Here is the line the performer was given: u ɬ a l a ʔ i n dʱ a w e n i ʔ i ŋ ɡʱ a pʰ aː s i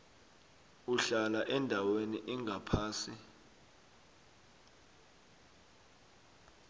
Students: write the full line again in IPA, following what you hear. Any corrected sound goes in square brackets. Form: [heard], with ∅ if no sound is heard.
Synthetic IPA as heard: u ɬ a l a ʔ [ɛ] n dʱ a w e n i ʔ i ŋ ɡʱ a pʰ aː s i